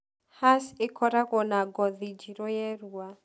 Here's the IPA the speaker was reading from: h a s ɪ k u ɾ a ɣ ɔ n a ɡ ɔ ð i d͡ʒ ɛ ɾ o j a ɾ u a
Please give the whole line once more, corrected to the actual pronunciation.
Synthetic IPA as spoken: h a s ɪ k ɔ ɾ a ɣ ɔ n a ɡ ɔ ð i d͡ʒ i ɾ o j ɛ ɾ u a